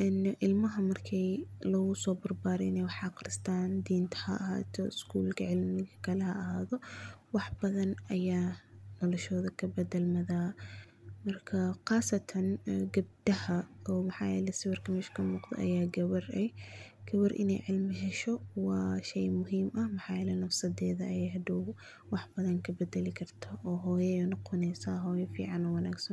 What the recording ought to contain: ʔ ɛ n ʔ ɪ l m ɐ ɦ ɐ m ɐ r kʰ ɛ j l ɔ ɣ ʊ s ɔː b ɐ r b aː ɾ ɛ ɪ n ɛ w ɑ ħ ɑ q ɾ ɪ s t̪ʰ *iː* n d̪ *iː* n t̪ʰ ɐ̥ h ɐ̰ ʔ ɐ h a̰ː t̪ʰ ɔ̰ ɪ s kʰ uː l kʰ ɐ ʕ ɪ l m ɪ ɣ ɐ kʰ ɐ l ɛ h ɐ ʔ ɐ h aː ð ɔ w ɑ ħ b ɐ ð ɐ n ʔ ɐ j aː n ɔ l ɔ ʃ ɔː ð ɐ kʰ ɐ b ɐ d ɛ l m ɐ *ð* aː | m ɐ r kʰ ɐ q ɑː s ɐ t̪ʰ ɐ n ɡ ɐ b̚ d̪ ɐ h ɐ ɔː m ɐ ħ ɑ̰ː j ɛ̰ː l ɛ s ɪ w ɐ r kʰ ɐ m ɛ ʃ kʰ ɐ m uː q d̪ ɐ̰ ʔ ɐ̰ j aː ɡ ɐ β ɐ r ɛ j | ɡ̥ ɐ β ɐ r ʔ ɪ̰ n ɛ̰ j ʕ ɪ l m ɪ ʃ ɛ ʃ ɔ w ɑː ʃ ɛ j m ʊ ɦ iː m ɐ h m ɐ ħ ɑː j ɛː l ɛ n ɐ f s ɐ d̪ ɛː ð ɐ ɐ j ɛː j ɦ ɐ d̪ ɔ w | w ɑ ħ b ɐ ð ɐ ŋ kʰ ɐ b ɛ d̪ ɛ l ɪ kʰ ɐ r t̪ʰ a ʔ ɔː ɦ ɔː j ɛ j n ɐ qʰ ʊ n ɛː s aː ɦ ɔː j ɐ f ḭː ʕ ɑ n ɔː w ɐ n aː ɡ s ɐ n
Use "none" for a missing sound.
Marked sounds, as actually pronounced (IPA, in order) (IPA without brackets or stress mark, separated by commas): aː, iː, ð